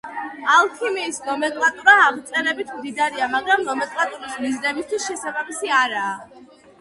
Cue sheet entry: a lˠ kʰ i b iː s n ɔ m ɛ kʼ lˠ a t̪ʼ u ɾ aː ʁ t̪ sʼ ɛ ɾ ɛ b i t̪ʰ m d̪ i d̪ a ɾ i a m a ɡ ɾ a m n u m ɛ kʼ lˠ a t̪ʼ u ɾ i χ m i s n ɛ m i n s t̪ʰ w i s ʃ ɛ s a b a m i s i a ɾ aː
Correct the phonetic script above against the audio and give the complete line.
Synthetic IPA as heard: a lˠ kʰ i m iː s n ɔ m ɛ kʼ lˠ a t̪ʼ u ɾ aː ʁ t̪ sʼ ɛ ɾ ɛ b i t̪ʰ m d̪ i d̪ a ɾ i a m a ɡ ɾ a m n ɔ m ɛ kʼ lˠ a t̪ʼ u ɾ i s m i z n ɛ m i s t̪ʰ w i s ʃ ɛ s a b a m i s i a ɾ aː